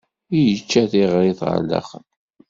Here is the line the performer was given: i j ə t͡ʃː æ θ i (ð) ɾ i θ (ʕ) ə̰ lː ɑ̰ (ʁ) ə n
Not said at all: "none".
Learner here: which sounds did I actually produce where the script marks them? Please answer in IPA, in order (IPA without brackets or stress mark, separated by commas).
ʁ, ʁ, χ